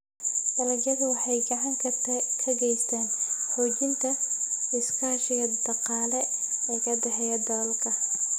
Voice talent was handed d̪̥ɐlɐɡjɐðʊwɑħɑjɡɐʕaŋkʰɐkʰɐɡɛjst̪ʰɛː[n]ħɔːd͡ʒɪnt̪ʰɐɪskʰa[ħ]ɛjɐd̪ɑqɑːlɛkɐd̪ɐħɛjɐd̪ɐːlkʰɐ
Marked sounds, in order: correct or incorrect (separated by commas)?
correct, incorrect